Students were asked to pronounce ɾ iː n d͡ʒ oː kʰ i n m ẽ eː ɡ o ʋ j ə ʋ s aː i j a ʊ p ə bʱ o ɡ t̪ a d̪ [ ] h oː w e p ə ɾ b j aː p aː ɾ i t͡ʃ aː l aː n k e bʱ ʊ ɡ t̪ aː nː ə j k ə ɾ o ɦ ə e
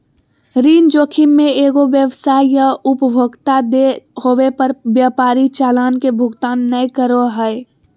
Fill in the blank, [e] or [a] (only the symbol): e